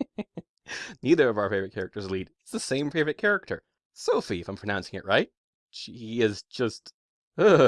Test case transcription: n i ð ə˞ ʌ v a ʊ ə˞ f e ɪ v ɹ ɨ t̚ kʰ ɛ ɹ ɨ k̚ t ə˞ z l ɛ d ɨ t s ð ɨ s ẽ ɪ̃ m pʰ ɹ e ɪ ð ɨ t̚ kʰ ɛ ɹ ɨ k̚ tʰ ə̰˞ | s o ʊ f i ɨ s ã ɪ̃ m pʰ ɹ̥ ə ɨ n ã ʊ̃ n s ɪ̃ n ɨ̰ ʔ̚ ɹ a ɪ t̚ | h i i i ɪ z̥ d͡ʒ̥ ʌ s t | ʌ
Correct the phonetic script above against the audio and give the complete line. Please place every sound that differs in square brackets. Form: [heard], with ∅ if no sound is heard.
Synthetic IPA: n i ð ə˞ ʌ v a ʊ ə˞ f e ɪ v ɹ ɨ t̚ kʰ ɛ ɹ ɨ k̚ t ə˞ z l [i] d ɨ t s ð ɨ s ẽ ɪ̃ m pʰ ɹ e ɪ [v] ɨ t̚ kʰ ɛ ɹ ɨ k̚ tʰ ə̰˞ | s o ʊ f i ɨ [f] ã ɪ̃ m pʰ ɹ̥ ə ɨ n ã ʊ̃ n s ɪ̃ [ŋ] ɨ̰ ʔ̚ ɹ a ɪ t̚ | [ʃ] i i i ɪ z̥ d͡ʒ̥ ʌ s t | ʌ